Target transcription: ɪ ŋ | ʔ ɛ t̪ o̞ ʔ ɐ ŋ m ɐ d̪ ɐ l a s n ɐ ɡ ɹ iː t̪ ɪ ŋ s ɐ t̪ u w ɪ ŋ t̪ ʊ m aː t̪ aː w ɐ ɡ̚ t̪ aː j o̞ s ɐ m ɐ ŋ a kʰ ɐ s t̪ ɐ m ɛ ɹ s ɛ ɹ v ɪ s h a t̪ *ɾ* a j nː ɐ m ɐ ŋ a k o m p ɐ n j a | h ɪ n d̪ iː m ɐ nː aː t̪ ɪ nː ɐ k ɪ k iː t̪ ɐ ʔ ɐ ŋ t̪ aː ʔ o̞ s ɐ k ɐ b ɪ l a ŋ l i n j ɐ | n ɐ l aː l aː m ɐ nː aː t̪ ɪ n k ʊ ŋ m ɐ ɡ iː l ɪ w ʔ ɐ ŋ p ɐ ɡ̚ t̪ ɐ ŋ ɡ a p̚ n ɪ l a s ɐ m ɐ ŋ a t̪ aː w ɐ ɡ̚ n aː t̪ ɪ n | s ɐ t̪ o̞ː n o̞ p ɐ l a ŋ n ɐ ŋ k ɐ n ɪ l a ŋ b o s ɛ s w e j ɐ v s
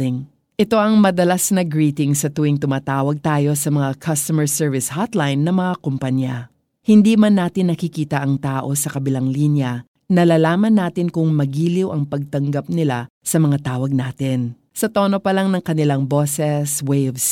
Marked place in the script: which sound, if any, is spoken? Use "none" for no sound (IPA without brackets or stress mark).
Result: l